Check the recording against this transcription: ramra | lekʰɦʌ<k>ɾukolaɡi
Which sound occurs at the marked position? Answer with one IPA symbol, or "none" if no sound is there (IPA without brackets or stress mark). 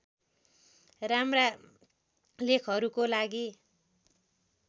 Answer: none